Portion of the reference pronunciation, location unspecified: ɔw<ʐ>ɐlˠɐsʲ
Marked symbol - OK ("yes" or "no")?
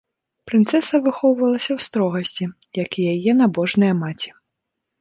no